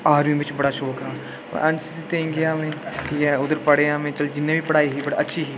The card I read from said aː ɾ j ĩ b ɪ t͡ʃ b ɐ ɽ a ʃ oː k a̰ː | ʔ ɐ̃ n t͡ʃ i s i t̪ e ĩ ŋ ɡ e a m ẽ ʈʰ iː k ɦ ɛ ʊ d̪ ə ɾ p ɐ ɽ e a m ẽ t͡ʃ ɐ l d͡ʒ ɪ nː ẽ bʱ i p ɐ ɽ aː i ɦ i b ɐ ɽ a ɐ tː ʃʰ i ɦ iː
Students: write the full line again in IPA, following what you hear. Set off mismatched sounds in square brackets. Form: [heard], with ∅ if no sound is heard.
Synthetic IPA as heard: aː ɾ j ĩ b ɪ t͡ʃ b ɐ ɽ a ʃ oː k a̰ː | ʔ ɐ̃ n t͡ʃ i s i t̪ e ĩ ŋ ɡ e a m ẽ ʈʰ iː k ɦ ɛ ʊ d̪ ə ɾ p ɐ ɽ e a m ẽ t͡ʃ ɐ l d͡ʒ ɪ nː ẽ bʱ i p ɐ ɽ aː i ɦ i b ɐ ɽ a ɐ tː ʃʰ i ɦ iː